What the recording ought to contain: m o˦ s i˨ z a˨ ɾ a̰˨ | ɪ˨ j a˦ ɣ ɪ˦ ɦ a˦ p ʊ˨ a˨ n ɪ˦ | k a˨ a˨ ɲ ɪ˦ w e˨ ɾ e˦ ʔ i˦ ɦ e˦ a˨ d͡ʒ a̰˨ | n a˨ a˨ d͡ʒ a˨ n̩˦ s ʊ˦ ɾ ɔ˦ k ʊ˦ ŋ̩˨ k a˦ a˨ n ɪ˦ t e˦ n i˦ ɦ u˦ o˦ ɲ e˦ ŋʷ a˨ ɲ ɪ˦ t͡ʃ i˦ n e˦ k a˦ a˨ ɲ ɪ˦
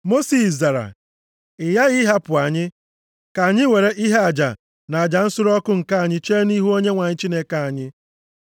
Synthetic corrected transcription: m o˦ s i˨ z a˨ ɾ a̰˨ | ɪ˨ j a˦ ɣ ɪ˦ ɦ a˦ p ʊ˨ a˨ ɲ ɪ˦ | k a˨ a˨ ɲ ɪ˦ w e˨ ɾ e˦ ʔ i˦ ɦ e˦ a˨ d͡ʒ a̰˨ | n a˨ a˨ d͡ʒ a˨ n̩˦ s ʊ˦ ɾ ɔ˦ k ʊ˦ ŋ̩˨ k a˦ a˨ ɲ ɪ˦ t͡ʃ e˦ n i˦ ɦ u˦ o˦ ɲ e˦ ŋʷ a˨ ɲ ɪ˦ t͡ʃ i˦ n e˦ k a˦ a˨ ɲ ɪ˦